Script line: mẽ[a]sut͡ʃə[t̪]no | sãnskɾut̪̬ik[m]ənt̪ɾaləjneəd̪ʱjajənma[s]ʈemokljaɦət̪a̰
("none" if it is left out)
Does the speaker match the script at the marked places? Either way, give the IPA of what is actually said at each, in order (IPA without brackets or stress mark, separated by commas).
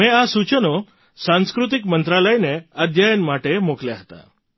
a, none, m, none